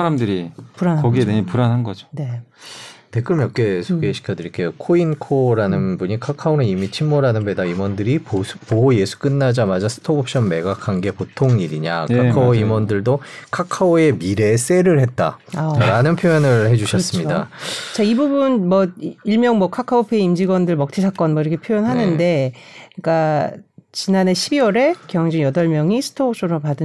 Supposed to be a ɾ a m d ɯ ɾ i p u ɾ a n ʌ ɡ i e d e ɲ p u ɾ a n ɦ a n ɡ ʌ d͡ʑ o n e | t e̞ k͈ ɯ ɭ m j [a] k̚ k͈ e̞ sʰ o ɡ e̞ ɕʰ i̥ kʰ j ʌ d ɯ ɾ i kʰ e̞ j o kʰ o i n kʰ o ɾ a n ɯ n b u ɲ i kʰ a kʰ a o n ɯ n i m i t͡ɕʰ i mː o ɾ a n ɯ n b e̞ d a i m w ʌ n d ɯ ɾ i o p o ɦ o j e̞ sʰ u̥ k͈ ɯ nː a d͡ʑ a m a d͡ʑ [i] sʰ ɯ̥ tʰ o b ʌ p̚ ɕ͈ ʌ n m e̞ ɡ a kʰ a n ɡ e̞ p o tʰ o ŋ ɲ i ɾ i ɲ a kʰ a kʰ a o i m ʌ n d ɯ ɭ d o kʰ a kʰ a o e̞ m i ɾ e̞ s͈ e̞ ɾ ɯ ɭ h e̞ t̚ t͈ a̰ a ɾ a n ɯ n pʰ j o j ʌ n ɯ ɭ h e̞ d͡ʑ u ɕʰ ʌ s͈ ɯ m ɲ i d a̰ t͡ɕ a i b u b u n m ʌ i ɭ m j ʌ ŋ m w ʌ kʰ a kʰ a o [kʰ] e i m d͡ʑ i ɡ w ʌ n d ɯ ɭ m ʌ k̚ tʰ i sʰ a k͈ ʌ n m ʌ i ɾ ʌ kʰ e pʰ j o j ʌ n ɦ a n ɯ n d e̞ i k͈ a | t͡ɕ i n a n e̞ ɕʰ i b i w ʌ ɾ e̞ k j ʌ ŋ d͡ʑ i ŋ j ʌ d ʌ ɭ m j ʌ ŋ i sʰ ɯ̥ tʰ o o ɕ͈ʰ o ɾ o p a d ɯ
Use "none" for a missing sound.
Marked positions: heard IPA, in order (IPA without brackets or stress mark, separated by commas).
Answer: ʌ, a, pʰ